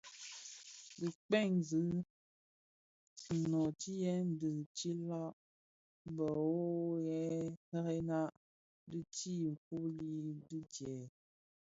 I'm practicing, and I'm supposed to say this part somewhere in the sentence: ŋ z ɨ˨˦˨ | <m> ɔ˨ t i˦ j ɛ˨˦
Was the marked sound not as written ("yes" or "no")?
yes